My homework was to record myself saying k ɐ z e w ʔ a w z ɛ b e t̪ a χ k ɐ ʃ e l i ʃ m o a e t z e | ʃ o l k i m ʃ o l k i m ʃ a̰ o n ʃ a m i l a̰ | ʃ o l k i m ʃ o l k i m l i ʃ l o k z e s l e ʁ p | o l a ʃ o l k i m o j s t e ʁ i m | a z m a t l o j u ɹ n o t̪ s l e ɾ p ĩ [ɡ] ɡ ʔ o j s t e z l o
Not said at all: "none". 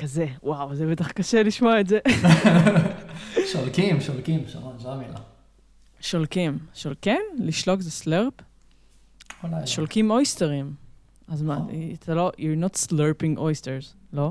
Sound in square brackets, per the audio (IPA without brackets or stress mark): ŋ